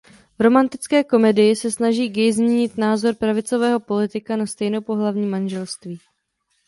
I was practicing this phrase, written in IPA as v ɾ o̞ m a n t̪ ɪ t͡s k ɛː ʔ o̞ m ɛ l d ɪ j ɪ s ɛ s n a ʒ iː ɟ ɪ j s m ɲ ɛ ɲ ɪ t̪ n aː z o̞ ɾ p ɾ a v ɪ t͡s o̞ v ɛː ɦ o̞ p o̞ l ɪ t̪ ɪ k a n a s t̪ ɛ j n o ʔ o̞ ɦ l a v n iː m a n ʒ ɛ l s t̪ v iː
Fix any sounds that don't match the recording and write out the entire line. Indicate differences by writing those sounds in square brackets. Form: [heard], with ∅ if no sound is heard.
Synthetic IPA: v ɾ o̞ m a n t̪ ɪ t͡s k ɛː [k] o̞ m ɛ [∅] d ɪ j ɪ s ɛ s n a ʒ iː [ɡ] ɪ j [z] m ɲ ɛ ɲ ɪ t̪ n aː z o̞ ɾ p ɾ a v ɪ t͡s o̞ v ɛː ɦ o̞ p o̞ l ɪ t̪ ɪ k a n a s t̪ ɛ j n o [p] o̞ ɦ l a v [ɲ] iː m a n ʒ ɛ l s t̪ v iː